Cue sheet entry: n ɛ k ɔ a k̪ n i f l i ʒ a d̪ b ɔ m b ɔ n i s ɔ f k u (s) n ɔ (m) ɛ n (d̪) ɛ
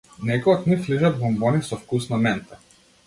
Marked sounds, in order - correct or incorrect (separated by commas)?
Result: correct, correct, incorrect